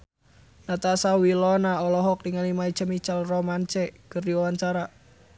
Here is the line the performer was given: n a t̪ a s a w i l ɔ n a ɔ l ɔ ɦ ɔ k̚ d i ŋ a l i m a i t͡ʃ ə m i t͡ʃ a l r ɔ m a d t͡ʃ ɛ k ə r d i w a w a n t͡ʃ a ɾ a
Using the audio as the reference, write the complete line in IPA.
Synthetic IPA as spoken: n a t̪ a s a w i l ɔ n a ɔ l ɔ ɦ ɔ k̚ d i ŋ a l i m a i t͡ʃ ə m i t͡ʃ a l r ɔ m a n t͡ʃ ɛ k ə r d i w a w a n t͡ʃ a ɾ a